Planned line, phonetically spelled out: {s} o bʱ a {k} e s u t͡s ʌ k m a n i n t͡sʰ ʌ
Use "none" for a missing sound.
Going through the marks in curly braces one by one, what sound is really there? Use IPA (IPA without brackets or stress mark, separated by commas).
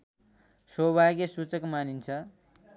s, ɡ